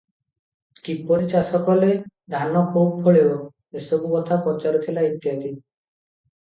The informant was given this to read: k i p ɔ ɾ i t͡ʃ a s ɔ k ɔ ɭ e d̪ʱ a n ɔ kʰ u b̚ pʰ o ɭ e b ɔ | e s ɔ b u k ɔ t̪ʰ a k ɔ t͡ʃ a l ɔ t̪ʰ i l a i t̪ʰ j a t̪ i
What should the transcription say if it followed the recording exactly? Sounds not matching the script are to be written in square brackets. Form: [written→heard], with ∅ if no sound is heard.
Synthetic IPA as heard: k i p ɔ ɾ i t͡ʃ a s ɔ k ɔ [ɭ→l] e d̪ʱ a n ɔ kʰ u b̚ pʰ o ɭ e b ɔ | e s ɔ b u k ɔ t̪ʰ a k ɔ t͡ʃ a [l→ɾ] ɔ t̪ʰ i l a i [t̪ʰ→t̪] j a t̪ i